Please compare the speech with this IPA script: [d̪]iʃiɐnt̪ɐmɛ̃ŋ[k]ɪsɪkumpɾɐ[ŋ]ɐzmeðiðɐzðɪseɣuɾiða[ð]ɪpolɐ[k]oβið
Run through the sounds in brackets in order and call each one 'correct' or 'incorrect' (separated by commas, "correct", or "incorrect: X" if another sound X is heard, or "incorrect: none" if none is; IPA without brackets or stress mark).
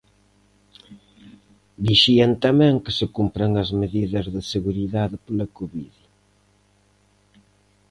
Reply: correct, correct, correct, correct, correct